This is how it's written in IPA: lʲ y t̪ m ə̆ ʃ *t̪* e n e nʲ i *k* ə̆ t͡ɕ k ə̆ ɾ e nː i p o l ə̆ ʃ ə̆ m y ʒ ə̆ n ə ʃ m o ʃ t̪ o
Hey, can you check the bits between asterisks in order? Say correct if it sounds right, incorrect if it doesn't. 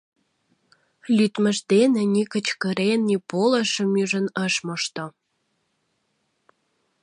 incorrect: d̪, correct

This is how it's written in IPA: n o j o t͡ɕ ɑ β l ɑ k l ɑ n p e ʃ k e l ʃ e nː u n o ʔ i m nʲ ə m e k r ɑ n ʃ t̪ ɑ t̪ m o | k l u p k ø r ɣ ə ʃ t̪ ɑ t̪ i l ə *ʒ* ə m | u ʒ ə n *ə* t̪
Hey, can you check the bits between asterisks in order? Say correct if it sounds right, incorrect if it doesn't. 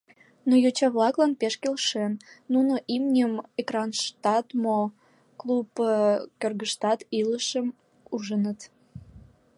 incorrect: ʃ, correct

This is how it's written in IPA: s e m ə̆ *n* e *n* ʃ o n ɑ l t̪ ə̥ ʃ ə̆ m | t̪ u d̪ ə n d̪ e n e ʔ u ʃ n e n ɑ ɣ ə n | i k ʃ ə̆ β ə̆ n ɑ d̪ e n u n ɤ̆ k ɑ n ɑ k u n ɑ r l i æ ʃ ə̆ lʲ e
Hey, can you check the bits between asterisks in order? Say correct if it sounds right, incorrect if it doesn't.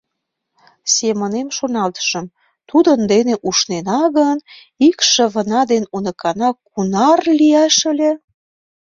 correct, incorrect: m

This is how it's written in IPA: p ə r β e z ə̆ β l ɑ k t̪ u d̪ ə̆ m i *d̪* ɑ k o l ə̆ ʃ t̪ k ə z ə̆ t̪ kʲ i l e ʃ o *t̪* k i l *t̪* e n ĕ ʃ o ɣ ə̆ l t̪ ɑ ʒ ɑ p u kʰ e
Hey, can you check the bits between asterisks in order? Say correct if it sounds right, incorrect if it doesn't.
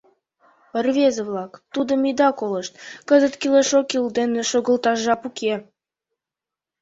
correct, incorrect: none, incorrect: d̪

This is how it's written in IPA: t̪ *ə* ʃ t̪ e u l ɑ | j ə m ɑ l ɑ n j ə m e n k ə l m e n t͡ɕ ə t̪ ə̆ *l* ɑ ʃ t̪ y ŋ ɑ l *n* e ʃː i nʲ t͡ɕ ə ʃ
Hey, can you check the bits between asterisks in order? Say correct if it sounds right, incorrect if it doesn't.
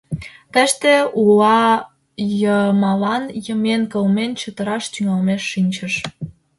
correct, incorrect: ɾ, incorrect: m

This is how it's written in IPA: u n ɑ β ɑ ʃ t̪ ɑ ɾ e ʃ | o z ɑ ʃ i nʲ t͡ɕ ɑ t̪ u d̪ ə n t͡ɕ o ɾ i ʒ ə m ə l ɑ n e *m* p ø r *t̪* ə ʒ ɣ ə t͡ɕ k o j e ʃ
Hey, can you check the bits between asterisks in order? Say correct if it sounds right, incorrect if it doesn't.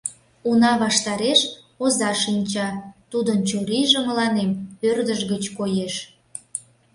correct, incorrect: d̪

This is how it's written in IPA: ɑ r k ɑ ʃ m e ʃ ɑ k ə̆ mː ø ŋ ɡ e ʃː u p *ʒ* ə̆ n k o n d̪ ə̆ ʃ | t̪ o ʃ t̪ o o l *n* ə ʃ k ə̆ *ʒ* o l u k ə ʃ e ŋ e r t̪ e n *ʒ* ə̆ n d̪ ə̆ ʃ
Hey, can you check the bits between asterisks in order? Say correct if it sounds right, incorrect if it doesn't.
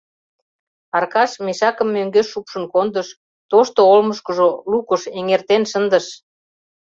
incorrect: ʃ, incorrect: m, correct, incorrect: ʃ

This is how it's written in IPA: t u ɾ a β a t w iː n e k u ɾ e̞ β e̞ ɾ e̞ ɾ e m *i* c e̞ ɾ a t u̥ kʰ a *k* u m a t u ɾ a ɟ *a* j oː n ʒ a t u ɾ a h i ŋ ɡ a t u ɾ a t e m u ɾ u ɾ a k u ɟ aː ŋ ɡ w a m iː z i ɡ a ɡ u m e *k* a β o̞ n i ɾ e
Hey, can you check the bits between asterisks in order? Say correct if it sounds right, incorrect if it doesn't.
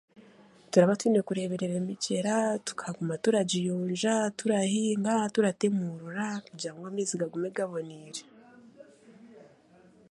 correct, incorrect: ɡ, incorrect: i, incorrect: ɡ

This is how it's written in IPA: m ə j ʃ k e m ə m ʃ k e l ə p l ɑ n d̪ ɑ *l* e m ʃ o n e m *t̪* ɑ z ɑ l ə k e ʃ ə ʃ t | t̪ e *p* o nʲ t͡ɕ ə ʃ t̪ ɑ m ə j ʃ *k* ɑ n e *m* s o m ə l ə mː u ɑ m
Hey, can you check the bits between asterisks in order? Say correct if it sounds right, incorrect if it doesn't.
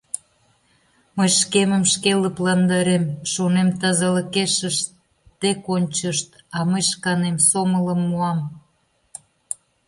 incorrect: ɾ, correct, incorrect: k, correct, correct

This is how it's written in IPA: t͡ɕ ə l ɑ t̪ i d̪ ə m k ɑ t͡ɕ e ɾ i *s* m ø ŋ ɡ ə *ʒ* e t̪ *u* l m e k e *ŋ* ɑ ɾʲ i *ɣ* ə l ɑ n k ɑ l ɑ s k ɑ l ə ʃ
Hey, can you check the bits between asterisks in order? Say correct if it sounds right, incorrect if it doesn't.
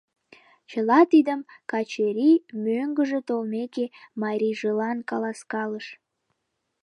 incorrect: none, correct, incorrect: o, incorrect: m, incorrect: ʒ

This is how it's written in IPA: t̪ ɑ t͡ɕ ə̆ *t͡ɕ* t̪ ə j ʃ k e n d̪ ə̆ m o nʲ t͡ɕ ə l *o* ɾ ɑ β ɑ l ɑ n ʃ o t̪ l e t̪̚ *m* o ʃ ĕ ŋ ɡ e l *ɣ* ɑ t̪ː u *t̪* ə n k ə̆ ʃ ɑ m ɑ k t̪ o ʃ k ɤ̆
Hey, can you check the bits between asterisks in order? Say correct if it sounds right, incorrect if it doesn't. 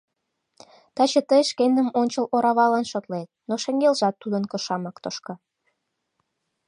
incorrect: none, correct, incorrect: n, incorrect: ʒ, incorrect: d̪

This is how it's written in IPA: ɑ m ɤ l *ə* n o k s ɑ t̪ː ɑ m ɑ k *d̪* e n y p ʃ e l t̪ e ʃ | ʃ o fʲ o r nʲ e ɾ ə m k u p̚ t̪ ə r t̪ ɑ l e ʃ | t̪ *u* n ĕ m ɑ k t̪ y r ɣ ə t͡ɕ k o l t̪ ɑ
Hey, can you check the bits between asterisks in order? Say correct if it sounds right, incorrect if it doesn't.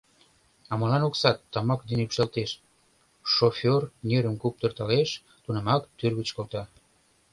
incorrect: ɑ, correct, correct

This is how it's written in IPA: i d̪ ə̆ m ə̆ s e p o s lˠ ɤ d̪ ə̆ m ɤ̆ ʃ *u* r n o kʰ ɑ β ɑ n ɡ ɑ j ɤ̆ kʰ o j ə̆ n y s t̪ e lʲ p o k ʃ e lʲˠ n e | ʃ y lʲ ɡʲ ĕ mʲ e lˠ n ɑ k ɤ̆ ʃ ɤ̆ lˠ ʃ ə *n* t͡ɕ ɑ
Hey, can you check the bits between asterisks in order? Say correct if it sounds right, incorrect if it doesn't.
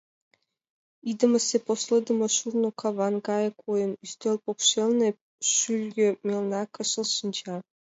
correct, correct

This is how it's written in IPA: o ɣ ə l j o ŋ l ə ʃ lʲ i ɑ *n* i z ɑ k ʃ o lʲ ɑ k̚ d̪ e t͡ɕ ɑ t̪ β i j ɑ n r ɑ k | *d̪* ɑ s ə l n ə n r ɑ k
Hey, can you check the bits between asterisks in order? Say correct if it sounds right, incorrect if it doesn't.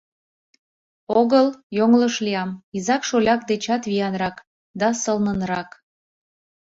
incorrect: m, correct

